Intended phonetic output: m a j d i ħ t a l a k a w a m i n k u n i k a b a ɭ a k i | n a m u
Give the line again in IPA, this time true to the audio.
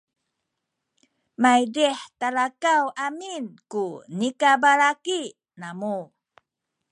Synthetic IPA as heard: m a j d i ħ t a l a k a w a m i n k u n i k a b a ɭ a k i | n a m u